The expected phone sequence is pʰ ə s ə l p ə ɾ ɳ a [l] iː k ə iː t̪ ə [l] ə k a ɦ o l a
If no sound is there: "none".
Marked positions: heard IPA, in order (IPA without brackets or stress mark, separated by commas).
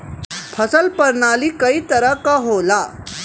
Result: l, ɾ